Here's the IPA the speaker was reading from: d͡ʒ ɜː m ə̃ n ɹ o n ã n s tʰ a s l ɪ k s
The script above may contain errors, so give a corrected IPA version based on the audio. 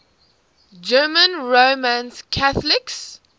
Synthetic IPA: d͡ʒ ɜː m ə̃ n ɹ o m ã n s kʰ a θ l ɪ k s